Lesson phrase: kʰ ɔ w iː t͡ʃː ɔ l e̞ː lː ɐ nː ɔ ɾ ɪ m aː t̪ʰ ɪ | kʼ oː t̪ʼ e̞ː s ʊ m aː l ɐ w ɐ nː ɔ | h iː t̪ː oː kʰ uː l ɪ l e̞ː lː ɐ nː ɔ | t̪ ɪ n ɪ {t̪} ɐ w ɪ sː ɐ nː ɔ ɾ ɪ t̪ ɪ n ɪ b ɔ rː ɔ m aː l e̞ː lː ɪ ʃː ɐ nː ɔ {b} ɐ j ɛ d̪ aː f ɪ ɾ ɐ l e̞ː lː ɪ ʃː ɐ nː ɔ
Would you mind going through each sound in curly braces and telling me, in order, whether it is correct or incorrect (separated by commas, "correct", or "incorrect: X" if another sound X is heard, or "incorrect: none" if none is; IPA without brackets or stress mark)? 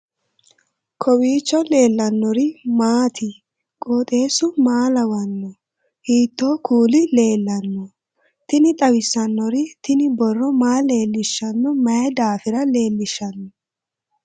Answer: incorrect: t̪ʼ, incorrect: m